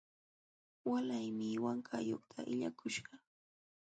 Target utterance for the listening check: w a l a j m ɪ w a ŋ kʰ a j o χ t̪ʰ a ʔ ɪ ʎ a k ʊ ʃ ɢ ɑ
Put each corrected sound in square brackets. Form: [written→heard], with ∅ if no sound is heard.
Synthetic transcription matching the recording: w a l a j m ɪ w a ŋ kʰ a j o χ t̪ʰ a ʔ ɪ ʎ a k ʊ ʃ ɢ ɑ